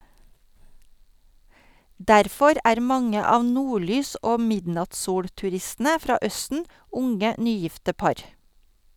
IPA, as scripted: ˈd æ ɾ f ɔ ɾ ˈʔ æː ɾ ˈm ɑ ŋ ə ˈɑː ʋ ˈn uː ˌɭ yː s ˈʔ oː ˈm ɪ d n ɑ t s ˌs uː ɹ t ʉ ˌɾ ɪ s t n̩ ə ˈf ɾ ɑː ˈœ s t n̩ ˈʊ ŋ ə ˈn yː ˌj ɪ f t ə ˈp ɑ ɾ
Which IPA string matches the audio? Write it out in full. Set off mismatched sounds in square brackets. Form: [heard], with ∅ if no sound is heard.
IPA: ˈd æ ɾ f ɔ ɾ ˈʔ æː ɾ ˈm ɑ ŋ ə ˈɑː ʋ ˈn uː ˌɭ yː s ˈʔ oː ˈm ɪ d n ɑ t s ˌs uː [ɽ] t ʉ ˌɾ ɪ s t n̩ ə ˈf ɾ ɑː ˈœ s t n̩ ˈʊ ŋ ə ˈn yː ˌj ɪ f t ə ˈp ɑ ɾ